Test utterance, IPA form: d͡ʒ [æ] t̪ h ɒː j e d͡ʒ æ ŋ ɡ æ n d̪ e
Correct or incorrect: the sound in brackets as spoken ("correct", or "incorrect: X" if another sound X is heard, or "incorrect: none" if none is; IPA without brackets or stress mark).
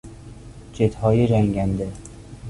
incorrect: e